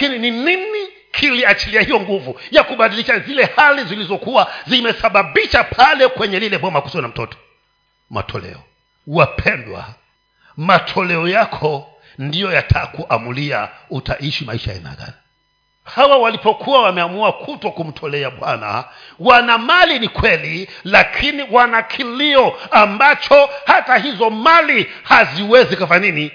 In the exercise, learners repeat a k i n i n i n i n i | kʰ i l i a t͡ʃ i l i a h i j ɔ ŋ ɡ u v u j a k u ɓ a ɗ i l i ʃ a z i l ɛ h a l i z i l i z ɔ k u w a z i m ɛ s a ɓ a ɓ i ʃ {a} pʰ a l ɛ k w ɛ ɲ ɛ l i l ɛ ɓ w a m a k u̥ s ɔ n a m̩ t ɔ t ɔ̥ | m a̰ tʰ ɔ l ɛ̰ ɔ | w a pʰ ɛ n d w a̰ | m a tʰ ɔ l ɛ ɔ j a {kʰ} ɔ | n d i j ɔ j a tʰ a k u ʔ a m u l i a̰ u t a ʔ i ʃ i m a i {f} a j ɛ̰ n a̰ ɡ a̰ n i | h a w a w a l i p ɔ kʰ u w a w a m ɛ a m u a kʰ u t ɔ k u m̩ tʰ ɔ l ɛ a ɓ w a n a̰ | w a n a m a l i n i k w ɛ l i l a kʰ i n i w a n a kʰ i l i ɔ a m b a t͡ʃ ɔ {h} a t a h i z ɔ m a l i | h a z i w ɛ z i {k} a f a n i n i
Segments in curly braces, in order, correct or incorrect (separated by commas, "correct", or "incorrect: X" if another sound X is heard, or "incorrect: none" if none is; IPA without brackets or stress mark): correct, correct, incorrect: ʃ, correct, correct